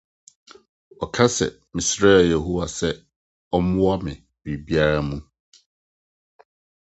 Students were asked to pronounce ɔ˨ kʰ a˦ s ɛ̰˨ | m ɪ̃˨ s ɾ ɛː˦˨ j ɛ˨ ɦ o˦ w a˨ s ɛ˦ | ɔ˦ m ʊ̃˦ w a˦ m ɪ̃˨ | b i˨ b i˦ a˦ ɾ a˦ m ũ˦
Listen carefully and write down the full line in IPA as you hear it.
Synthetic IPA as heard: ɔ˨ kʰ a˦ s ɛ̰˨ | m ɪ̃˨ s ɾ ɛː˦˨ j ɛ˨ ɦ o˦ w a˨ s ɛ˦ | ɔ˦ m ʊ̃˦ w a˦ m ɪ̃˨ | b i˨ b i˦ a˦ ɾ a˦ m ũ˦